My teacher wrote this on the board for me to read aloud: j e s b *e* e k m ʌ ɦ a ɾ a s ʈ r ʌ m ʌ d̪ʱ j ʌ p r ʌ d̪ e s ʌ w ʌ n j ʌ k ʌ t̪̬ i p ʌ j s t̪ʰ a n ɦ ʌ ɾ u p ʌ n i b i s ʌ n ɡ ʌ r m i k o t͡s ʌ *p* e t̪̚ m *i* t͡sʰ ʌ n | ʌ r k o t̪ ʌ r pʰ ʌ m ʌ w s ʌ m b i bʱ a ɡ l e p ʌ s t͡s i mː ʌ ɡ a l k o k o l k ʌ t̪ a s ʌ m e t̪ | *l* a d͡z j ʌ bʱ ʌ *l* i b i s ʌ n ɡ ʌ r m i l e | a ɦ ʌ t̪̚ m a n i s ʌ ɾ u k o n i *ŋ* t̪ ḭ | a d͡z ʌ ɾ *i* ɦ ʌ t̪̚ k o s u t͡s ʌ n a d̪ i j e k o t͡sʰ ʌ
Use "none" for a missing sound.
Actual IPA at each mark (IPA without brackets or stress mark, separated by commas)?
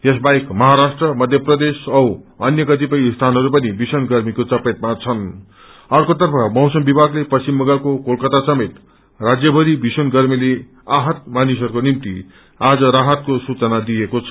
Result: a, p, a, r, ɾ, m, a